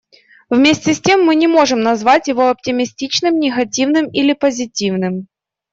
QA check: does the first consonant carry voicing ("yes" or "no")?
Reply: yes